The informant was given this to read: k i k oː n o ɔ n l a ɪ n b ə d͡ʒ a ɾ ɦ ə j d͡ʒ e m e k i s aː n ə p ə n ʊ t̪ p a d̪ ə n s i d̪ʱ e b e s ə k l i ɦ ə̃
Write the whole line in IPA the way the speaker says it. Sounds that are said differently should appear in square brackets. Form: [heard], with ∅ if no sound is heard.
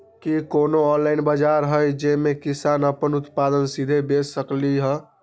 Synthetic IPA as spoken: k i k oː n o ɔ n l a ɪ n b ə d͡ʒ a ɾ ɦ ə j d͡ʒ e m e k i s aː n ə p ə n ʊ t̪ p a d̪ ə n s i d̪ʱ e b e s ə k l i ɦ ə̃